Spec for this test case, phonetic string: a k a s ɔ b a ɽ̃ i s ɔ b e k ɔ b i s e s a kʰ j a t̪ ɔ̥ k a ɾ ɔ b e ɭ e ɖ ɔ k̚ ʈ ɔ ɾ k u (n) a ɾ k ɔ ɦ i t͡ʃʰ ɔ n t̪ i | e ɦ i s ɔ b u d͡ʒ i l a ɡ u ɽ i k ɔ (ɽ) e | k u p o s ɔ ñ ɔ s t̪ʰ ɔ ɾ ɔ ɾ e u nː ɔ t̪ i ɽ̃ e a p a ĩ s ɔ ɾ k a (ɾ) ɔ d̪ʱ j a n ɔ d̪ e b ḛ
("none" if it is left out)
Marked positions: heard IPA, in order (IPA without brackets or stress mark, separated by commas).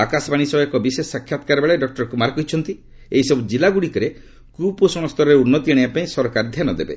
m, ɾ, ɾ